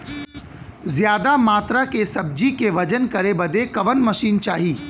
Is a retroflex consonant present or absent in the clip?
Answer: absent